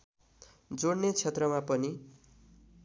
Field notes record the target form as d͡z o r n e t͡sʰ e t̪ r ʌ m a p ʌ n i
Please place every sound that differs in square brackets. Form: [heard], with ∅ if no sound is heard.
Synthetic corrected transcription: d͡z o [ɽ] n e t͡sʰ e t̪ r ʌ m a p ʌ n i